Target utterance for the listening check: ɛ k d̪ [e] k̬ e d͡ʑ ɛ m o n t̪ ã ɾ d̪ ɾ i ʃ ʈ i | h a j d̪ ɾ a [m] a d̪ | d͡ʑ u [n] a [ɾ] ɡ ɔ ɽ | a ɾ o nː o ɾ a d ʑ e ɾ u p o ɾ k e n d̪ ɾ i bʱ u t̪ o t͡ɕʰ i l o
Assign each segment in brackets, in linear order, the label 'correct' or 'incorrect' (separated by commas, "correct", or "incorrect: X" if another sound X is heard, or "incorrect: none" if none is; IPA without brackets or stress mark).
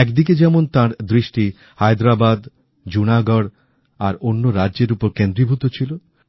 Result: incorrect: i, incorrect: b, correct, incorrect: none